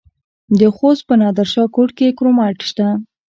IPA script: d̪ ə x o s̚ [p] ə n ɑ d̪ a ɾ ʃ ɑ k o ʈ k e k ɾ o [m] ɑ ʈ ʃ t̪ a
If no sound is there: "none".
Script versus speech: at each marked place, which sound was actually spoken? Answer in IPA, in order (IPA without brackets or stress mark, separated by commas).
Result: p, m